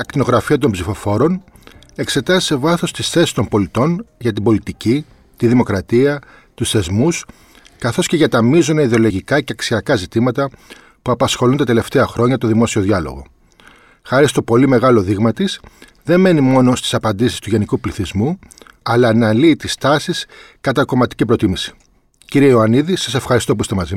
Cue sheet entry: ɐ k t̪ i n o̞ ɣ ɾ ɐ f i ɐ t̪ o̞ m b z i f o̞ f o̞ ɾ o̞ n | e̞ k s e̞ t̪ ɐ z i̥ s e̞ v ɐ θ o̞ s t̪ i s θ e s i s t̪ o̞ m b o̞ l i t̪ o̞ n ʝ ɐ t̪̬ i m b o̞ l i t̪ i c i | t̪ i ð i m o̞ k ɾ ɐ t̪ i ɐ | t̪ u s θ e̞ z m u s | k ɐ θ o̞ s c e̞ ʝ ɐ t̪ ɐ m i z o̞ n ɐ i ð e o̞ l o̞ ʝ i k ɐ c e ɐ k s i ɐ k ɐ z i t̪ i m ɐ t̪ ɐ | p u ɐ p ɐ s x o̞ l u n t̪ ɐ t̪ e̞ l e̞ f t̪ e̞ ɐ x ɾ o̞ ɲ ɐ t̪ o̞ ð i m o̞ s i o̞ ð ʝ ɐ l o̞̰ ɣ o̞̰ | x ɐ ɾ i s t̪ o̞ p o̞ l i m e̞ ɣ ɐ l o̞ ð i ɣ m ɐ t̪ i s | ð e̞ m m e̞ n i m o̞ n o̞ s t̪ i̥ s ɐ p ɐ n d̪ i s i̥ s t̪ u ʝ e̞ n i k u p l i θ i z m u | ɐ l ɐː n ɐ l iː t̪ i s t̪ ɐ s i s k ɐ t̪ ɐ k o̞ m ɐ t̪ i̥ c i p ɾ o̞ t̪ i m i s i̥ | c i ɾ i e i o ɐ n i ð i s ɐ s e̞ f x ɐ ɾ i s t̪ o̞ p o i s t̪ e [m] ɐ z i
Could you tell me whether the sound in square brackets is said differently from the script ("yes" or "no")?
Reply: no